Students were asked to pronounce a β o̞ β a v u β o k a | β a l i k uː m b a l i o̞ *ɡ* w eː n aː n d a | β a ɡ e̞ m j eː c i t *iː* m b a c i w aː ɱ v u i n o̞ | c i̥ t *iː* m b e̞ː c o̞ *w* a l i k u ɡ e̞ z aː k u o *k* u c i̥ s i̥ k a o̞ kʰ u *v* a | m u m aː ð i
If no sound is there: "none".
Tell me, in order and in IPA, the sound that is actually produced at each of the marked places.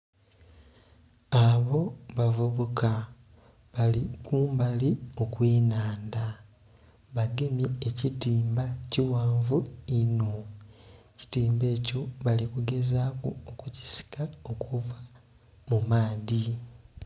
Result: k, iː, iː, β, k, v

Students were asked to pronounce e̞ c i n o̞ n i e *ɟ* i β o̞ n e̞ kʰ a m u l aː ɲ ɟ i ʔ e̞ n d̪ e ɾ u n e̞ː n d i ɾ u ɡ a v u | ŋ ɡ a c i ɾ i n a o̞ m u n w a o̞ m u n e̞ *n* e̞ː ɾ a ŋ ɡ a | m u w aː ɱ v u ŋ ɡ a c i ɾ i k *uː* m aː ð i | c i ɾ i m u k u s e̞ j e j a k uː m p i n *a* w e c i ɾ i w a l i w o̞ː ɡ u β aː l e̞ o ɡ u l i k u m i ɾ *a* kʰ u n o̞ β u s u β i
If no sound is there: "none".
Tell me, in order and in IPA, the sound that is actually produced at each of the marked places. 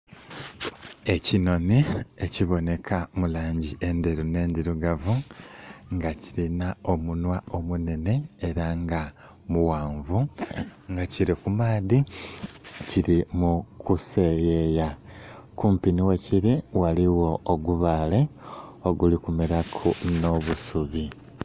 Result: c, n, u, i, a

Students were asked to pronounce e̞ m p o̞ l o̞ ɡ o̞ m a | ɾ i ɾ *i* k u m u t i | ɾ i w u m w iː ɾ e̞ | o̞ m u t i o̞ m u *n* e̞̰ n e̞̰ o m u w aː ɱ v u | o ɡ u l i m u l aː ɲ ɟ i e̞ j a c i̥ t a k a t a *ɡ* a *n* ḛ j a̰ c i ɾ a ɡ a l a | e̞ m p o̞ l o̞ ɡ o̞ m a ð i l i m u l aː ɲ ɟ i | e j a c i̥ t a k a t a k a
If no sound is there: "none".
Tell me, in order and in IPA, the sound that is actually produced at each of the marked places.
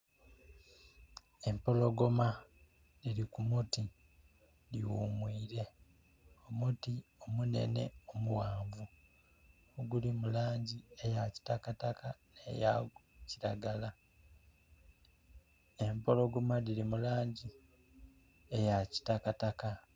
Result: i, n, k, n

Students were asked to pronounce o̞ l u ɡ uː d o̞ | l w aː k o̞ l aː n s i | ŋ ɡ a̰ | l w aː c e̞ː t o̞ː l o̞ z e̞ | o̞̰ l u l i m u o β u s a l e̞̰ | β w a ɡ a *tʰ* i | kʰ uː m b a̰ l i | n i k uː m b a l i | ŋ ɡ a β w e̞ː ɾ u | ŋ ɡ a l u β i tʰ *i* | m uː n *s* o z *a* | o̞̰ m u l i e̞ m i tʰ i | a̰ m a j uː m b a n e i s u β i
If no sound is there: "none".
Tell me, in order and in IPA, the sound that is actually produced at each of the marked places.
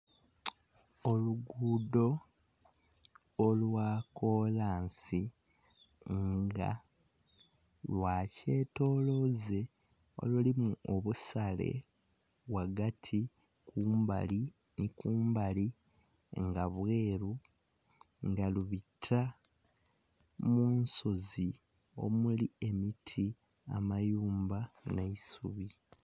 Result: tʰ, a, s, i

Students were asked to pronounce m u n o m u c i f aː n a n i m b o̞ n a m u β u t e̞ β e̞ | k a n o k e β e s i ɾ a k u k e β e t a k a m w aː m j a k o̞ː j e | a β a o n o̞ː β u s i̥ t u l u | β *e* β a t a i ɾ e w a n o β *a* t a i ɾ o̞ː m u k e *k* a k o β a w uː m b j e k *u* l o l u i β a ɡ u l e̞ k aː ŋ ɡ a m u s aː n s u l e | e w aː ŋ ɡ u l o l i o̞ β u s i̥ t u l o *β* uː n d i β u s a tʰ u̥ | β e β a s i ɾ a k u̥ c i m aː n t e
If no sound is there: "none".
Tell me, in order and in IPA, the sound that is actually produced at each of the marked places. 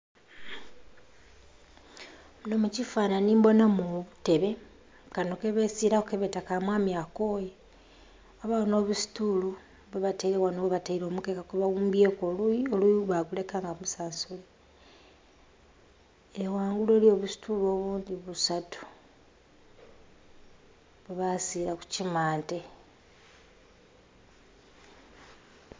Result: e, a, k, o, β

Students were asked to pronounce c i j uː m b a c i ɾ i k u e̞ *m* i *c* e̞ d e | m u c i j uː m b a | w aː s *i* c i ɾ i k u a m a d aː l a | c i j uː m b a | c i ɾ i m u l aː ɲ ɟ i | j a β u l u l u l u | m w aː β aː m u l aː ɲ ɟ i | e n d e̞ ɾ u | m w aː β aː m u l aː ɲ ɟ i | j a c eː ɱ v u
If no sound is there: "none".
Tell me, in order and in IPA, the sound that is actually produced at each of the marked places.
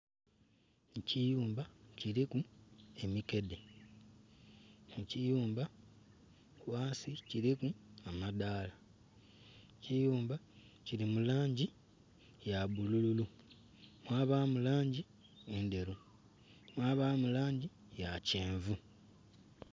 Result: m, k, i

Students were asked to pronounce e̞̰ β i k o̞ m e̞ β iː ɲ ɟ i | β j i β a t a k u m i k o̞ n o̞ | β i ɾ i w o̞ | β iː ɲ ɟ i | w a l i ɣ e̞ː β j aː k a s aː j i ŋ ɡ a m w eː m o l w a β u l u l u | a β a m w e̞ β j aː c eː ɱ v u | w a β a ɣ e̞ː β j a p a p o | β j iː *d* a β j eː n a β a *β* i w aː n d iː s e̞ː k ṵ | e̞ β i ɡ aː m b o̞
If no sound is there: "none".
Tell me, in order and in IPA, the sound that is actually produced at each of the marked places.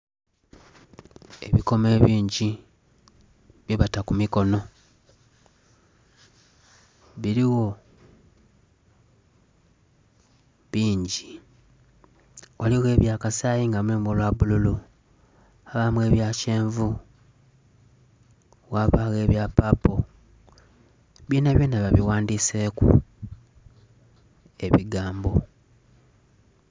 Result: n, β

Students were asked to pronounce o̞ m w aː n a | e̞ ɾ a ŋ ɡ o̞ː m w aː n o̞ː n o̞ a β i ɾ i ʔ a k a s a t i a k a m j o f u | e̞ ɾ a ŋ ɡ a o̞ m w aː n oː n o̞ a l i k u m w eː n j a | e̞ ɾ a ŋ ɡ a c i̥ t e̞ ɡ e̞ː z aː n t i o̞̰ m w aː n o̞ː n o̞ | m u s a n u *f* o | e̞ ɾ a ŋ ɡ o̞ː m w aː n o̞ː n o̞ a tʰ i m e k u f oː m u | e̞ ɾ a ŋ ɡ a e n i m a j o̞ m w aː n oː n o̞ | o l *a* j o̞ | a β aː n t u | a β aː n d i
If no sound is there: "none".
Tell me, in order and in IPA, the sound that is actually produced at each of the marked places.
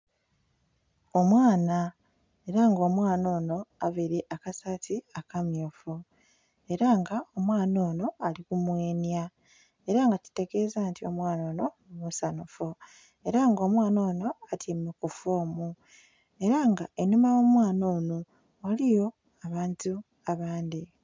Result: f, i

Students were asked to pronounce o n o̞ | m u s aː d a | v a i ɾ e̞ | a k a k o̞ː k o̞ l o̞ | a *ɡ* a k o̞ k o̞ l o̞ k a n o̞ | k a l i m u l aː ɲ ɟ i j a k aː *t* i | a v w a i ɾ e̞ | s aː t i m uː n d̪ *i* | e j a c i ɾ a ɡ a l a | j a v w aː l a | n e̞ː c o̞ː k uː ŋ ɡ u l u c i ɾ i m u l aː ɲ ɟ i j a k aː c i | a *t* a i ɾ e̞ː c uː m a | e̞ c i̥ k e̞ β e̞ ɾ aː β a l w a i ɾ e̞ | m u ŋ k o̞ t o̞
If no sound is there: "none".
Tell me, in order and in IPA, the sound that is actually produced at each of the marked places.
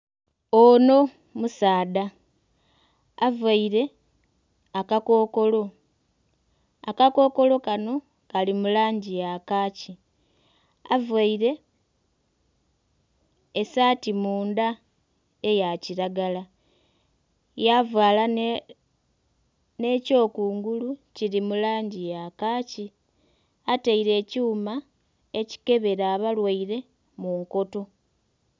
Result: k, c, a, t

